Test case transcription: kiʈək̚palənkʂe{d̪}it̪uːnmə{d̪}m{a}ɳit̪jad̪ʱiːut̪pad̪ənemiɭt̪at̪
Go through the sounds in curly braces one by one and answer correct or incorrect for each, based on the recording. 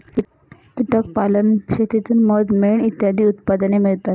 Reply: incorrect, correct, incorrect

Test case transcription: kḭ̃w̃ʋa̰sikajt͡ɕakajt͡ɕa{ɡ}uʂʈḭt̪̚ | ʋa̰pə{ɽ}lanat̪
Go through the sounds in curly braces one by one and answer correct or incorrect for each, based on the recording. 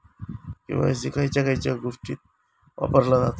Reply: correct, incorrect

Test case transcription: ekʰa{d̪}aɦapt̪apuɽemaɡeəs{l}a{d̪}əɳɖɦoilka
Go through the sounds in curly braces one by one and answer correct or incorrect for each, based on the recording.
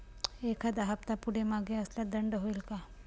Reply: correct, correct, correct

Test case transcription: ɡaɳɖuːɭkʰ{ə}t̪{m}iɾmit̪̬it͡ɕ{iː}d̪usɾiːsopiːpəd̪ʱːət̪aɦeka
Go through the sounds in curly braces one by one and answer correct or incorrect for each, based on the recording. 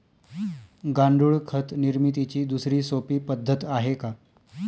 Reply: correct, incorrect, correct

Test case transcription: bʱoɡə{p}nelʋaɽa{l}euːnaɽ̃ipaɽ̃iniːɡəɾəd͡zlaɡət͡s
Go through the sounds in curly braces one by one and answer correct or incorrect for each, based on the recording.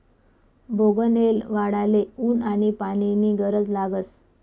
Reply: incorrect, correct

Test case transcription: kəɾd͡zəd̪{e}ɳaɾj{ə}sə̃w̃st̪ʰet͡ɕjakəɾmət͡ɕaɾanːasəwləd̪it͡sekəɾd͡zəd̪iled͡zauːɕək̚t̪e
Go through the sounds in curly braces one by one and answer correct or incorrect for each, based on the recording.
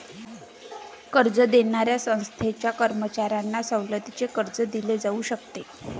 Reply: correct, incorrect

